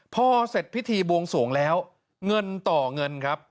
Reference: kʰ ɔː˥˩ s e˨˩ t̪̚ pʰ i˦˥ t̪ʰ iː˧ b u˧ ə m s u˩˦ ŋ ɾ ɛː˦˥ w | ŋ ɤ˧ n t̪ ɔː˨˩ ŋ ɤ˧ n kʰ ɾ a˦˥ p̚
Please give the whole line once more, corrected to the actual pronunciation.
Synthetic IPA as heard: pʰ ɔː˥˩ s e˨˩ t̪̚ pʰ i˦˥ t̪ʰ iː˧ b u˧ ə ŋ s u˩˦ ŋ l ɛː˦˥ w | ŋ ɤ˧ n t̪ ɔː˨˩ ŋ ɤ˧ n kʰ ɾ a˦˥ p̚